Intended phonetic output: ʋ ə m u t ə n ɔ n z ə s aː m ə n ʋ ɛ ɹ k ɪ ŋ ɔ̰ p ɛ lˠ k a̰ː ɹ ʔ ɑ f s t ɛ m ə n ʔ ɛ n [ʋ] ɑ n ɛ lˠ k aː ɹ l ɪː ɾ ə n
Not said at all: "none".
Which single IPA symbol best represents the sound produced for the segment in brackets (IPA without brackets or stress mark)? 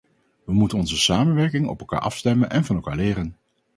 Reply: v